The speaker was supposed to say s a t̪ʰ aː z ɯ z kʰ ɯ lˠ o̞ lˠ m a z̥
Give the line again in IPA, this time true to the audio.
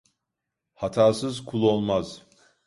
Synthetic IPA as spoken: h a t̪ʰ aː s ɯ z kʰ u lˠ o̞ lˠ m a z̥